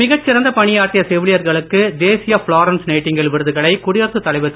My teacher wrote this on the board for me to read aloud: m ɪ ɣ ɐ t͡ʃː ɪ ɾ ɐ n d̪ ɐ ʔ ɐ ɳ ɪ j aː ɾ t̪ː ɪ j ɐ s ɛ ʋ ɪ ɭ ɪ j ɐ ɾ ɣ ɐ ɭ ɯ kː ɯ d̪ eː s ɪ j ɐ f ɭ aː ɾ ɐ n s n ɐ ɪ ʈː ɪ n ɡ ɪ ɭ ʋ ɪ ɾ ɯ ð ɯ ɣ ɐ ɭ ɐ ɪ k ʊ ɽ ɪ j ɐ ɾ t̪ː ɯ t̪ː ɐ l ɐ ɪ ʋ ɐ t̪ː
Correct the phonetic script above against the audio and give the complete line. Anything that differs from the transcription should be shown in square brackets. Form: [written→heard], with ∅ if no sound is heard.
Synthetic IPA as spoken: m ɪ ɣ ɐ t͡ʃː ɪ ɾ ɐ n d̪ ɐ [ʔ→p] ɐ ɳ ɪ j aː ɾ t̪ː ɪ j ɐ s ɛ ʋ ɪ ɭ ɪ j ɐ ɾ ɣ ɐ ɭ ɯ kː ɯ d̪ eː s ɪ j ɐ f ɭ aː ɾ ɐ n s n ɐ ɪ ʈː ɪ [n→ŋ] ɡ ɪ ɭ ʋ ɪ ɾ ɯ ð ɯ ɣ ɐ ɭ ɐ ɪ k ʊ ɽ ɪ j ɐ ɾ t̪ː ɯ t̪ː ɐ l ɐ ɪ ʋ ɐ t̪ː